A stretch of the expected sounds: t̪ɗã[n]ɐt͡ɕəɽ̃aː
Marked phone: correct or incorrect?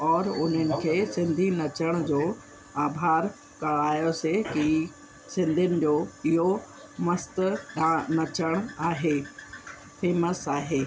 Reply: correct